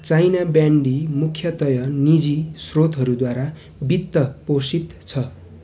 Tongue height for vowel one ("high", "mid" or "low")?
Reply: low